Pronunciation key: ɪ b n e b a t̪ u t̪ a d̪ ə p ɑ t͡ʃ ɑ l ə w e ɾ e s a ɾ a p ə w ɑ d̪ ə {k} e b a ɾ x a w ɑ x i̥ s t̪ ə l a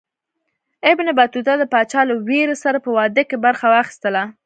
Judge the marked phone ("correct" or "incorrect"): correct